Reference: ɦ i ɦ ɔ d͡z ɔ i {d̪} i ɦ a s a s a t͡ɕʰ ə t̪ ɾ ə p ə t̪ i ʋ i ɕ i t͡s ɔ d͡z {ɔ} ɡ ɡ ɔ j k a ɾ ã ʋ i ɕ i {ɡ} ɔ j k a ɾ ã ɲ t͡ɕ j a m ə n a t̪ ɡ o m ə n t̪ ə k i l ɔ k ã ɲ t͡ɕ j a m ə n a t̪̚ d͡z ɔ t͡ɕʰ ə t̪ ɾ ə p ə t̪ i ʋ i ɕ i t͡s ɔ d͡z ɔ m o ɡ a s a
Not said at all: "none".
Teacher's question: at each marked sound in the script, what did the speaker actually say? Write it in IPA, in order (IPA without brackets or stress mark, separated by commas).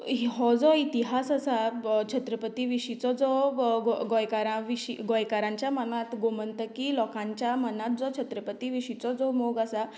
t̪, ɔ, ɡ